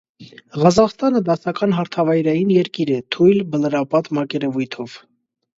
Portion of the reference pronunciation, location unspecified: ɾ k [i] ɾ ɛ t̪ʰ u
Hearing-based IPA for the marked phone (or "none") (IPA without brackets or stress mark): i